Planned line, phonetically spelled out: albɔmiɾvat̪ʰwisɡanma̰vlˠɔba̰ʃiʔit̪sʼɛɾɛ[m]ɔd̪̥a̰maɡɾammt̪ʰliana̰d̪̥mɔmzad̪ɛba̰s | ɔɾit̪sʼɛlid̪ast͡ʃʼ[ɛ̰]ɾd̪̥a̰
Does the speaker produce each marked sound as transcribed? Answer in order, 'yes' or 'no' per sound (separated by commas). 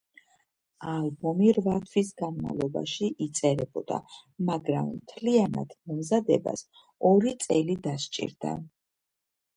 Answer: no, no